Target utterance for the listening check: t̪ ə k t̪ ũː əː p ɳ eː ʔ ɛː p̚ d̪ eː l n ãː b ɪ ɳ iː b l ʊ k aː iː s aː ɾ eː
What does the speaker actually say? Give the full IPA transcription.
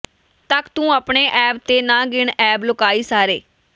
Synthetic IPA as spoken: t̪ ə k t̪ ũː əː p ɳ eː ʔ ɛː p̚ t̪ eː n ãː ɡ ɪ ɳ ɛː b l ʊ k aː iː s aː ɾ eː